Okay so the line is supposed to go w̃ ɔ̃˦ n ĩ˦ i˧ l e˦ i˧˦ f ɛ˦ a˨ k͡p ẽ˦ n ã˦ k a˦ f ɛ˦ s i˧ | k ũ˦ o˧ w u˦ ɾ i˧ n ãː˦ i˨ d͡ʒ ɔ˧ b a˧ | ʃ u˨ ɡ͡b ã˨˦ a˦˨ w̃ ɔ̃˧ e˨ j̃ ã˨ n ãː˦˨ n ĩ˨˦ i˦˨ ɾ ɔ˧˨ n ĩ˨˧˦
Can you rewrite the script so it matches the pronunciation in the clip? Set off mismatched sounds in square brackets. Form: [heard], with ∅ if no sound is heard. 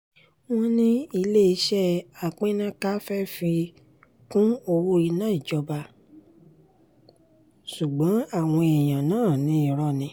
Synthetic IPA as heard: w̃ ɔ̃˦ n ĩ˦ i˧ l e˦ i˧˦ [ʃ] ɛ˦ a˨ k͡p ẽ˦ n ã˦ k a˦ f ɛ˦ [f] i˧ | k ũ˦ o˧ w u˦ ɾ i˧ n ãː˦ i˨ d͡ʒ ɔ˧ b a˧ | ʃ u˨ ɡ͡b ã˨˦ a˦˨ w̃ ɔ̃˧ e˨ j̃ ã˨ n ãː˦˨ n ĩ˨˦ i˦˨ ɾ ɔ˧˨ n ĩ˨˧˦